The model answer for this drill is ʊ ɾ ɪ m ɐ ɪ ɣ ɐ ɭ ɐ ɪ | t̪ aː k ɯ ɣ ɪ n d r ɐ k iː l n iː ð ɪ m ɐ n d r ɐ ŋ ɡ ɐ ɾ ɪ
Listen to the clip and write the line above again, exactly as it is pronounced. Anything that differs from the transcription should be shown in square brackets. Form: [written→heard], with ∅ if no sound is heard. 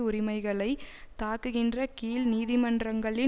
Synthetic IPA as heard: ʊ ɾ ɪ m ɐ ɪ ɣ ɐ ɭ ɐ ɪ | t̪ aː k ɯ ɣ ɪ n d r ɐ k iː l n iː ð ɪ m ɐ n d r ɐ ŋ ɡ ɐ [ɾ→ɭ] ɪ